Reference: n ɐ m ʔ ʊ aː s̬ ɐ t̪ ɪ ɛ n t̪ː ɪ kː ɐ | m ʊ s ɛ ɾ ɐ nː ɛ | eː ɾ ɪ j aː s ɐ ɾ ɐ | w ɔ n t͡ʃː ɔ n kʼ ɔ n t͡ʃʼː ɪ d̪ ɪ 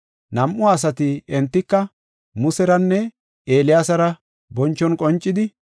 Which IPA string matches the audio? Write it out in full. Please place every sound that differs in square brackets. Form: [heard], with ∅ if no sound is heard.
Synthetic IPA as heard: n ɐ m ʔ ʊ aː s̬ ɐ t̪ ɪ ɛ n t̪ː ɪ kː ɐ | m ʊ s ɛ ɾ ɐ nː ɛ | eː [l] ɪ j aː s ɐ ɾ ɐ | [b] ɔ n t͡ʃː ɔ n kʼ ɔ n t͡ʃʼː ɪ d̪ ɪ